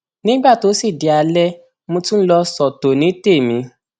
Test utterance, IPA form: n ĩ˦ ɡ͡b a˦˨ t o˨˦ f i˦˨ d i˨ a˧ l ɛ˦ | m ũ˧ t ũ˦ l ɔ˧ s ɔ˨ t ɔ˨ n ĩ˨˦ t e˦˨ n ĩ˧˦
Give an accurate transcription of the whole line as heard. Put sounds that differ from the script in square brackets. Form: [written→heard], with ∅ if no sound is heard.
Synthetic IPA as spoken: n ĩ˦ ɡ͡b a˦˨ t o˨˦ [f→s] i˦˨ d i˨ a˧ l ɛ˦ | m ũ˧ t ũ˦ l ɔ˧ s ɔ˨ t [ɔ˨→o˨] n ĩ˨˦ t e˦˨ [n→m] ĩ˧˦

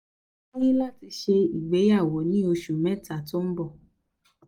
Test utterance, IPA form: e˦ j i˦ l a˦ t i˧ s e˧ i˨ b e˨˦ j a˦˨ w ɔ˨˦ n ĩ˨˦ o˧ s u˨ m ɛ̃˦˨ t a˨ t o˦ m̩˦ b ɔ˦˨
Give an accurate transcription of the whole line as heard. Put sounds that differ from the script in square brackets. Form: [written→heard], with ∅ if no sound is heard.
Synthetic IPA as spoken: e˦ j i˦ l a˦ t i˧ [s→ʃ] e˧ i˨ [b→ɡ͡b] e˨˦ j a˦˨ w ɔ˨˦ n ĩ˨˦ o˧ [s→ʃ] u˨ m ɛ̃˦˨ t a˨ t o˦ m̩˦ b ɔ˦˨

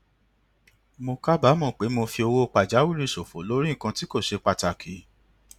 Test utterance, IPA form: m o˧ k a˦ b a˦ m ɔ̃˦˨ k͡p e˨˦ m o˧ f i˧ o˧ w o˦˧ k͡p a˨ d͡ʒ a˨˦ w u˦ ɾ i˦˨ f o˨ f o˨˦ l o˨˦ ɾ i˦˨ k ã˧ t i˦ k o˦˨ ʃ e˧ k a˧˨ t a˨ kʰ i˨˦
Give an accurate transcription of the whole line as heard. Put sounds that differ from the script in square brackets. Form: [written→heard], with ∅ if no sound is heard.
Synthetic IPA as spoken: m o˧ k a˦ b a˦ m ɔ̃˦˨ k͡p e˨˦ m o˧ f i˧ o˧ w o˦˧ k͡p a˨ d͡ʒ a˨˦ w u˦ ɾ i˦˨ [f→s] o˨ f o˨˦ l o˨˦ ɾ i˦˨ k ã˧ t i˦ k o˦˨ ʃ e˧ [k→k͡p] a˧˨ t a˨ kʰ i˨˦

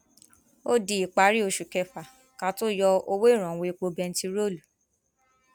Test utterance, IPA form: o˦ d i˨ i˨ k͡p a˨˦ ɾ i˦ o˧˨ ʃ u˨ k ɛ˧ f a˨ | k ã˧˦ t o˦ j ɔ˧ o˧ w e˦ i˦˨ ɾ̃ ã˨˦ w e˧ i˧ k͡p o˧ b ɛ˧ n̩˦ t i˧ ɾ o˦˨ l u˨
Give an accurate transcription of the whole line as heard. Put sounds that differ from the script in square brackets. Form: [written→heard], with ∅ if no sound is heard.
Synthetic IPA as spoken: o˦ d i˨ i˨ k͡p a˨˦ ɾ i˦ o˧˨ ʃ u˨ k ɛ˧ f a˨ | k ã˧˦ t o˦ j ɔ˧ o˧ w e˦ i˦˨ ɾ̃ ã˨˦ w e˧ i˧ k͡p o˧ b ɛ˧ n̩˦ t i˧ ɾ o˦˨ l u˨

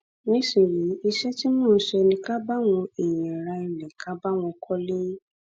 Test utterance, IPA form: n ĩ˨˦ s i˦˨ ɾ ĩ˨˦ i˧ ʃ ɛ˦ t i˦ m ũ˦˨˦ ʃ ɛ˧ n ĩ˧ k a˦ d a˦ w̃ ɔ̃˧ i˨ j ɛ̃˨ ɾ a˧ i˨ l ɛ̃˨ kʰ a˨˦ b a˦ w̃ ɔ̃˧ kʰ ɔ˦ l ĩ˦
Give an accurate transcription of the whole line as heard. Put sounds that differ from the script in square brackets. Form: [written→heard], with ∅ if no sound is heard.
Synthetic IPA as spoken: n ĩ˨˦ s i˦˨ ɾ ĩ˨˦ i˧ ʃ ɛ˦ t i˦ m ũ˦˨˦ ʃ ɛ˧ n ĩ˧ k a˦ [d→b] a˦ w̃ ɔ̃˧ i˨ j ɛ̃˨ ɾ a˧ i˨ l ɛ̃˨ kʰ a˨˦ b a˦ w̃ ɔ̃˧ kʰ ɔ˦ l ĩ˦

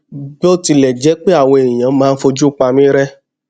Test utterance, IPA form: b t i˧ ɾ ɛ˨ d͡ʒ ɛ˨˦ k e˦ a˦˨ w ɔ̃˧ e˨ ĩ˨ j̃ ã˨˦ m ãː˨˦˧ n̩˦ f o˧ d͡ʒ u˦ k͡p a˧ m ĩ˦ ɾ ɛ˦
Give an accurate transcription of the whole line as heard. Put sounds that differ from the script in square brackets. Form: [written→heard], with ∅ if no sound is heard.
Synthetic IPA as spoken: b t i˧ [ɾ→l] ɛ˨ d͡ʒ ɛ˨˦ [k→k͡p] e˦ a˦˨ w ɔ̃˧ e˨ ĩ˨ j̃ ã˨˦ m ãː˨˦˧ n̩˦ f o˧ d͡ʒ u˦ k͡p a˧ m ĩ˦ ɾ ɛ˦

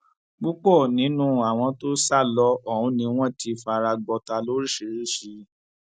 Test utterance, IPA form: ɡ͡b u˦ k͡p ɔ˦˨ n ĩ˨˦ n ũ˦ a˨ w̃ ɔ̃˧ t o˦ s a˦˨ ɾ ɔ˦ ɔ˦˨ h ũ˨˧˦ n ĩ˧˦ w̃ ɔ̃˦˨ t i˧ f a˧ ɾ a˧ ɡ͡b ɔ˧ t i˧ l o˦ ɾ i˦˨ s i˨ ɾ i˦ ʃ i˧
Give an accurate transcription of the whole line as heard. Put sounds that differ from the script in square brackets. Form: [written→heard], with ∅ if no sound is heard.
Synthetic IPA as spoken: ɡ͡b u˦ k͡p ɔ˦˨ n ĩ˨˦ n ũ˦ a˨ w̃ ɔ̃˧ t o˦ s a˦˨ [ɾ→l] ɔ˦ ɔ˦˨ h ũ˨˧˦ n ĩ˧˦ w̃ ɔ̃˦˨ t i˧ f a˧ ɾ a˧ ɡ͡b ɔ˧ t [i˧→a˧] l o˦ ɾ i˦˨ [s→ʃ] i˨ ɾ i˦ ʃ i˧

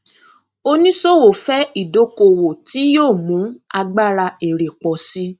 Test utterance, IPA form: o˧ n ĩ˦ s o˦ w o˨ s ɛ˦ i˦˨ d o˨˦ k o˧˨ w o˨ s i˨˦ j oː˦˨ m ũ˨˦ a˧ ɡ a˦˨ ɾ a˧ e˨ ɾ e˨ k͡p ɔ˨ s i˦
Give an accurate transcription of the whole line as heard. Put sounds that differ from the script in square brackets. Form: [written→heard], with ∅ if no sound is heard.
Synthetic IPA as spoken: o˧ n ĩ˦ s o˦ w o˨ [s→f] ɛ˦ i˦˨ d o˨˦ k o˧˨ w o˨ [s→t] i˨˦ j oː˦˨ m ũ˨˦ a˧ [ɡ→ɡ͡b] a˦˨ ɾ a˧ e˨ ɾ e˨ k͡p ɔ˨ s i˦

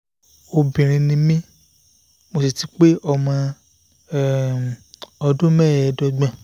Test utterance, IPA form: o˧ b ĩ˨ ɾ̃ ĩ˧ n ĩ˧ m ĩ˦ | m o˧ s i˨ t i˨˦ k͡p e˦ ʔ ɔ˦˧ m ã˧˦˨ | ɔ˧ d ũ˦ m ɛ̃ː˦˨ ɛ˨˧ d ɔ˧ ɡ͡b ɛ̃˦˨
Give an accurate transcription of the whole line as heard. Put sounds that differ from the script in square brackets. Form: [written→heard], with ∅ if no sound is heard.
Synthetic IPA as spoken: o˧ b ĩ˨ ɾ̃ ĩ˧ n ĩ˧ m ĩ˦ | m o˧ s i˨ t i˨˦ k͡p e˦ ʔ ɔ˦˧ m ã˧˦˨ | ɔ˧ d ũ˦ m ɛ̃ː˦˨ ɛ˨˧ d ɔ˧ ɡ͡b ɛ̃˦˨

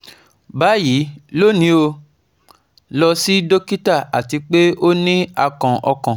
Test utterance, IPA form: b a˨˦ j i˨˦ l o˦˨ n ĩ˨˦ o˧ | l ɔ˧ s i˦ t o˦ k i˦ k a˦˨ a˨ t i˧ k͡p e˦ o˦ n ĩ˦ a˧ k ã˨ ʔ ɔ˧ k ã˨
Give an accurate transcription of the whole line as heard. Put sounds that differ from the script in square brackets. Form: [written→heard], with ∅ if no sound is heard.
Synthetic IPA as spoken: b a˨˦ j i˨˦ l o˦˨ n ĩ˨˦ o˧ | l ɔ˧ s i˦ [t→d] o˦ k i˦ [k→t] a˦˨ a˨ t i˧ k͡p e˦ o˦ n ĩ˦ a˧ k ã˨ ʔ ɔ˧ k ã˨

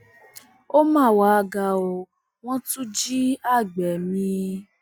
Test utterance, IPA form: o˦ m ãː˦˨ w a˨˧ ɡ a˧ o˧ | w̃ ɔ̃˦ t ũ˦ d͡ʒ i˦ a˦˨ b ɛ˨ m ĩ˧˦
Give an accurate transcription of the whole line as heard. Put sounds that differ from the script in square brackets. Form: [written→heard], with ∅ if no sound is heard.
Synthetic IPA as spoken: o˦ m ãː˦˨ w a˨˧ ɡ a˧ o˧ | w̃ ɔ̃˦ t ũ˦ d͡ʒ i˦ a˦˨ [b→ɡ͡b] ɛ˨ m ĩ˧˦

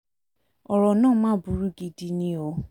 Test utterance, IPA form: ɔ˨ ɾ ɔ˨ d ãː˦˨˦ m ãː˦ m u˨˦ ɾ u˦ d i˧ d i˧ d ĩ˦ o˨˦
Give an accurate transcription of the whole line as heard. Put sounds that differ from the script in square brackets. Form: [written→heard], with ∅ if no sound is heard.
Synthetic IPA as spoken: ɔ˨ ɾ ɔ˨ [d→n] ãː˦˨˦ m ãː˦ [m→b] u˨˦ ɾ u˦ [d→ɡ] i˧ d i˧ [d→n] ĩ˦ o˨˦

